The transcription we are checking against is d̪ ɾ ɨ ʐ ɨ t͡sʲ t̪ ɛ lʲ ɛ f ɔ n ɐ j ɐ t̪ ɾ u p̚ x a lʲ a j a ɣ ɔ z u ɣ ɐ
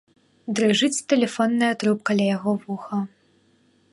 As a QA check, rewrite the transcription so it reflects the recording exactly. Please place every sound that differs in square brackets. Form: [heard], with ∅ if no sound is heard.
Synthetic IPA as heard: d̪ ɾ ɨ ʐ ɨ t͡sʲ t̪ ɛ lʲ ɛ f ɔ [nː] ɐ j ɐ t̪ ɾ u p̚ [k] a lʲ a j a ɣ ɔ [v] u [x] ɐ